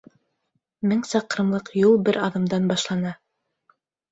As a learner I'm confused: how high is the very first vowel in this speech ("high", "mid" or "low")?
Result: mid